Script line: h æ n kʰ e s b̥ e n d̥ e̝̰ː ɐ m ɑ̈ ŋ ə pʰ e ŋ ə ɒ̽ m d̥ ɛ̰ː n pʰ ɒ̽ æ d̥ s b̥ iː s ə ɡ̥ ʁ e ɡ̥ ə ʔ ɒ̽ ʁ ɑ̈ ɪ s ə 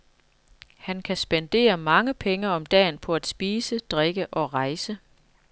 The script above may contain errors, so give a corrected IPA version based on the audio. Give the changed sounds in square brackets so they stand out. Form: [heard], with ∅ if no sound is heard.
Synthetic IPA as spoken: h æ n kʰ [æ] s b̥ e n d̥ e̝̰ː ɐ m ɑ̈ ŋ ə pʰ e ŋ ə ɒ̽ m d̥ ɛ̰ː n pʰ ɒ̽ æ d̥ s b̥ iː s ə [d̥] ʁ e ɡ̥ ə ʔ ɒ̽ ʁ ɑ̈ ɪ s ə